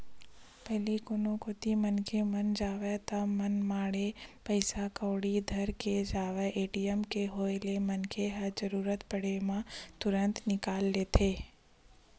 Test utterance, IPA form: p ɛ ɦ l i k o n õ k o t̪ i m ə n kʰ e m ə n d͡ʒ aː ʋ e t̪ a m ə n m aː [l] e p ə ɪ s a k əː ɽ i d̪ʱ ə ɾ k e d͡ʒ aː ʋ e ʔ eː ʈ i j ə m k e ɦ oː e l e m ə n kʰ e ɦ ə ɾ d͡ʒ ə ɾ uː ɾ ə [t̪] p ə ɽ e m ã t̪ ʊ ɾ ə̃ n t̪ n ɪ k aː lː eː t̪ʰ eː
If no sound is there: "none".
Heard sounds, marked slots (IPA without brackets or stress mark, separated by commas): ɽ, t̪